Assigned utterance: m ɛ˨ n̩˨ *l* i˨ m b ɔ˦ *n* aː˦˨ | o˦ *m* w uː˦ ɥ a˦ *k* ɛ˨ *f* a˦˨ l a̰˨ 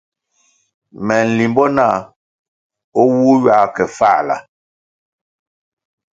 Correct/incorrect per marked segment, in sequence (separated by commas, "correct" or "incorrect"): correct, correct, incorrect, correct, correct